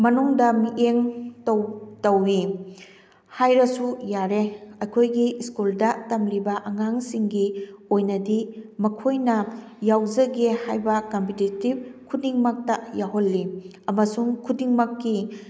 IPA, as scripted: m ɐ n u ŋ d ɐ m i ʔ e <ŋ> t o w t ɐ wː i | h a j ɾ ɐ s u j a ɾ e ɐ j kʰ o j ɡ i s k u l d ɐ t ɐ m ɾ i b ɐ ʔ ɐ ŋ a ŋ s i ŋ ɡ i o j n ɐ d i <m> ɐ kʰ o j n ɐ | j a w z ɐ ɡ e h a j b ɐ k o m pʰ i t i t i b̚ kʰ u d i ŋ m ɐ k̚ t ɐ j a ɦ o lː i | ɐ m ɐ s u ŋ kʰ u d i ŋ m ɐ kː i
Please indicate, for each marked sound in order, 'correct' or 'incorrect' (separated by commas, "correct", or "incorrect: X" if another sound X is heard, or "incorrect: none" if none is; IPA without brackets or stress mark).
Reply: correct, correct